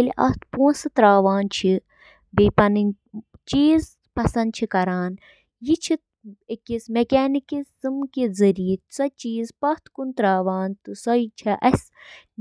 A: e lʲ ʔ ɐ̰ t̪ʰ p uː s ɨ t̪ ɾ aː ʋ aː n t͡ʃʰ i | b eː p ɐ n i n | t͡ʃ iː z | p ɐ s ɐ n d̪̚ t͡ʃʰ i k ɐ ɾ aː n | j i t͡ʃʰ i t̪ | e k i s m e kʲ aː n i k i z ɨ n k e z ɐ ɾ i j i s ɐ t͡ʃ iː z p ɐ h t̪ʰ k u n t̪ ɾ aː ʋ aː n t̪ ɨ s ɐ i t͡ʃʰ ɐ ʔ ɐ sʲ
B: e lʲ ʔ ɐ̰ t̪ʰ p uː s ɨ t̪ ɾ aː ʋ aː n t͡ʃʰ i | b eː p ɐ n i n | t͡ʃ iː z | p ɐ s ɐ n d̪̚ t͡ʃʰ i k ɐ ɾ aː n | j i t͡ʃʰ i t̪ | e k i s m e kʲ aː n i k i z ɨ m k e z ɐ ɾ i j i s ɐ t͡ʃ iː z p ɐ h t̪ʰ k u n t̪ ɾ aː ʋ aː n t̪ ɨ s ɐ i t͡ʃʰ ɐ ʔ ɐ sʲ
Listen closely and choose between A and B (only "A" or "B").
B